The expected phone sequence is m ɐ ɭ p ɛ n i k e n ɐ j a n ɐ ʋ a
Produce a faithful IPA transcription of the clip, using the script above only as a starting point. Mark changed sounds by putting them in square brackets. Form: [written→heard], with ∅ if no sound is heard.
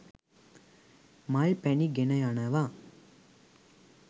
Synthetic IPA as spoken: m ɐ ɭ p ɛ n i [k→ɡ] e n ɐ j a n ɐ ʋ a